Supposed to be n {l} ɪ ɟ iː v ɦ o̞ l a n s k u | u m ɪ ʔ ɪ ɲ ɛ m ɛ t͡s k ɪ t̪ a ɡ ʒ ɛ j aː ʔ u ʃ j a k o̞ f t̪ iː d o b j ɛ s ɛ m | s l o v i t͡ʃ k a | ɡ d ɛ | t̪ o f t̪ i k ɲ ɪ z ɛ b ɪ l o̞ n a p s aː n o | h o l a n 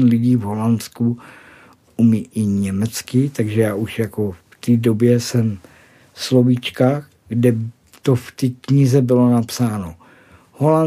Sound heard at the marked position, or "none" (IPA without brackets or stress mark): l